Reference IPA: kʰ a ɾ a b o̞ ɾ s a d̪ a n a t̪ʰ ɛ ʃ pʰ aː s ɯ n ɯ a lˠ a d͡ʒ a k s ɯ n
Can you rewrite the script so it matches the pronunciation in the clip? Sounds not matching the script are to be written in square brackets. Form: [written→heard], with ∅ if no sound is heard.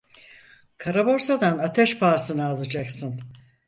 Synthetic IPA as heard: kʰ a ɾ a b o̞ ɾ s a d̪ a n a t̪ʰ ɛ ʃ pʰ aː s ɯ n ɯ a lˠ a d͡ʒ a k s ɯ n